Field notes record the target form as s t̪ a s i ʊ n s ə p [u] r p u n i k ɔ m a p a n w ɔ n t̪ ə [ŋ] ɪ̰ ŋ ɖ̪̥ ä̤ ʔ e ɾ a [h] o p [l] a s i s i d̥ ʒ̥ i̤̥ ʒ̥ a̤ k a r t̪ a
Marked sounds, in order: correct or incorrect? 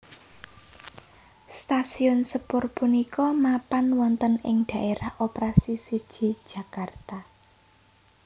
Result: incorrect, incorrect, correct, incorrect

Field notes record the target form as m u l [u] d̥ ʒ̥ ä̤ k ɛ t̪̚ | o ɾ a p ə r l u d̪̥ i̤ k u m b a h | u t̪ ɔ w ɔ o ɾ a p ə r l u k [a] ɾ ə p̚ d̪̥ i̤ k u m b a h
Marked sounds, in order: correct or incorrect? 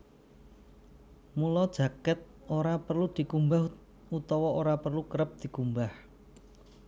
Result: incorrect, incorrect

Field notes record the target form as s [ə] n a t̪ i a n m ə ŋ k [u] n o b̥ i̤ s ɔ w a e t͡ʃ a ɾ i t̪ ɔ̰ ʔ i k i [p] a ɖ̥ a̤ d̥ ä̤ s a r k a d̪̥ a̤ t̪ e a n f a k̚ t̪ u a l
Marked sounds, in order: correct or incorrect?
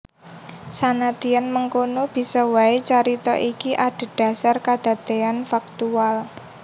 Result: incorrect, incorrect, incorrect

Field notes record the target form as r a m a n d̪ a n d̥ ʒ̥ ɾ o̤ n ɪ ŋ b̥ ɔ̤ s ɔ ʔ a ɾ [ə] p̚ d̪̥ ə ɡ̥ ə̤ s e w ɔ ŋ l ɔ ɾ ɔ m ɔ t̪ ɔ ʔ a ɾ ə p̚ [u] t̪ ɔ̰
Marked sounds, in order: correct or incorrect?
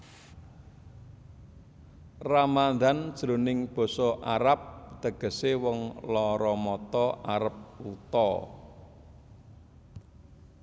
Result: incorrect, correct

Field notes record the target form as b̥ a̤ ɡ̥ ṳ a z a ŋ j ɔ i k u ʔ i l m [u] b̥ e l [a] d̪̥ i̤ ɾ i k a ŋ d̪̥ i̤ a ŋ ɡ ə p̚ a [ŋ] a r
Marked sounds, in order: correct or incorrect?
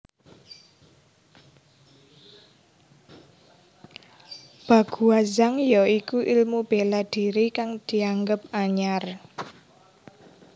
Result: correct, correct, incorrect

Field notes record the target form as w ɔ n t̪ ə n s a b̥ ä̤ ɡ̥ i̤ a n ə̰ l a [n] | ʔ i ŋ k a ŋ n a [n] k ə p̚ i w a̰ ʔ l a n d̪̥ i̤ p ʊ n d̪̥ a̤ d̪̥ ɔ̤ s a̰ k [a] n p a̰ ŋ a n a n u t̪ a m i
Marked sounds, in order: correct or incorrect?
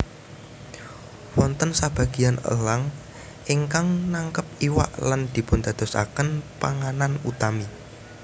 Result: incorrect, incorrect, incorrect

